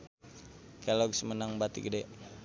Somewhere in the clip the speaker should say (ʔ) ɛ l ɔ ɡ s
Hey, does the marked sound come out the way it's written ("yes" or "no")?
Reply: no